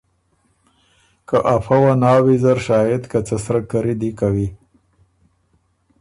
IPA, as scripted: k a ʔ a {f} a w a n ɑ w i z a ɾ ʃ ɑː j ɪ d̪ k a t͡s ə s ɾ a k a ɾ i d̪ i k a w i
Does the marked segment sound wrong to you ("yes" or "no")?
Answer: no